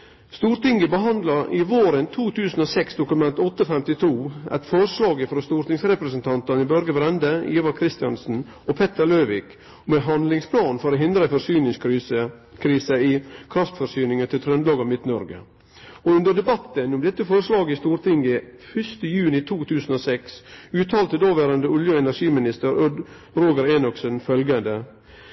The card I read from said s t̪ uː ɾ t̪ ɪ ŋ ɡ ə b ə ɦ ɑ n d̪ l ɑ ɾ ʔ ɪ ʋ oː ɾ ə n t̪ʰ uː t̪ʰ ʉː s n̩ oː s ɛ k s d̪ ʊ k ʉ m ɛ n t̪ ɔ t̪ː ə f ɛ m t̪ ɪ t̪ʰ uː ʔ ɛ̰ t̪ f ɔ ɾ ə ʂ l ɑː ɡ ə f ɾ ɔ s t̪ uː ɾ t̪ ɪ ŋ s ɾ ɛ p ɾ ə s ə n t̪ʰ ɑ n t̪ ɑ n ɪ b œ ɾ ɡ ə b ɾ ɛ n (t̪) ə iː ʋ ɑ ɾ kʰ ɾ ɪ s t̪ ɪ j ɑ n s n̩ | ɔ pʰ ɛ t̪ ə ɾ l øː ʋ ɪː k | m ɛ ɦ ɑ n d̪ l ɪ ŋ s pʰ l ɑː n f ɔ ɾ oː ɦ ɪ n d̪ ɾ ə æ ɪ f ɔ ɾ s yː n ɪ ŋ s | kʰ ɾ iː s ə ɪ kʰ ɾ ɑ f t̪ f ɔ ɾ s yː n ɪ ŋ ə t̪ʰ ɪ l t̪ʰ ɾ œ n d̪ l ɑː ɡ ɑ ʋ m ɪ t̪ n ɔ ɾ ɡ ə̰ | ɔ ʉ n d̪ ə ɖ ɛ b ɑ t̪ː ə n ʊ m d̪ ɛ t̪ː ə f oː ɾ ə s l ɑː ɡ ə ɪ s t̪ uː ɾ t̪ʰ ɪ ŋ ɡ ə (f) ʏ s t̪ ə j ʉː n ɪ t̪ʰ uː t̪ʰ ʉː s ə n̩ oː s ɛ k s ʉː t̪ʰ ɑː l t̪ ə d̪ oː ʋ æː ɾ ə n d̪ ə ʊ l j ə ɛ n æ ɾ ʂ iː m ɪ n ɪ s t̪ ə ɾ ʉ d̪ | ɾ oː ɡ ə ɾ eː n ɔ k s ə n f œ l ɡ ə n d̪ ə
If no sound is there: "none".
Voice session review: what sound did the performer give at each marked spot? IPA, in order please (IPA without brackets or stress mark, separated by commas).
d̪, f